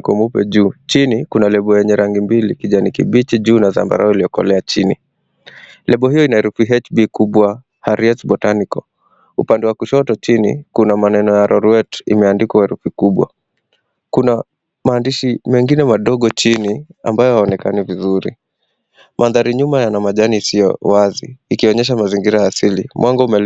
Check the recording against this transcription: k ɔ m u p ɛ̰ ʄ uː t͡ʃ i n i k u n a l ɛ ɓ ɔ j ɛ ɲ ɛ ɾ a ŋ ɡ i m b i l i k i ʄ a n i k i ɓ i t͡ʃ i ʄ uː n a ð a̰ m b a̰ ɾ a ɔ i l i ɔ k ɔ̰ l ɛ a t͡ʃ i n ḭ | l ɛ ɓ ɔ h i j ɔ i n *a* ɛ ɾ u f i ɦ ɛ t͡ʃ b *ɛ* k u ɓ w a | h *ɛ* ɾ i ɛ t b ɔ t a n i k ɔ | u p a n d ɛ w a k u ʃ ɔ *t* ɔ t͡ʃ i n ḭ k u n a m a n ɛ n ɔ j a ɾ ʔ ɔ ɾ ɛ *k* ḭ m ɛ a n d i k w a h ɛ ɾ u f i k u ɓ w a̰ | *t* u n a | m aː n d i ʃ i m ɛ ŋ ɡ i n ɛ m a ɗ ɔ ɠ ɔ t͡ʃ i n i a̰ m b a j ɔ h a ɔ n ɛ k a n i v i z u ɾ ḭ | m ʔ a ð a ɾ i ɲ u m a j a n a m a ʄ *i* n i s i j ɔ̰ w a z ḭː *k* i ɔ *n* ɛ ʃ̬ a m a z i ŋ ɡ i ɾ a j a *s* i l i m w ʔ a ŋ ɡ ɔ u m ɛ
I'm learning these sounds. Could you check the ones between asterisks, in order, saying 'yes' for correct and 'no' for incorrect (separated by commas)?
yes, no, no, yes, no, no, no, yes, no, yes